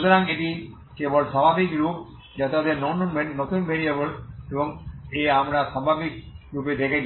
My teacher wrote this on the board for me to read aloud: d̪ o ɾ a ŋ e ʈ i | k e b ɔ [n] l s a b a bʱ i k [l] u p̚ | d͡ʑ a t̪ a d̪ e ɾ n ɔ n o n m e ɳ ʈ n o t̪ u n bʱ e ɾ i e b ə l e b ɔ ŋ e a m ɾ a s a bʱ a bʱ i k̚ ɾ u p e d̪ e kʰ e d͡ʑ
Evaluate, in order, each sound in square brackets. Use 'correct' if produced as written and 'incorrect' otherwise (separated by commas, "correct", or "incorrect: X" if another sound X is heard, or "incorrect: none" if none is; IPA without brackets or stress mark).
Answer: incorrect: none, incorrect: ɾ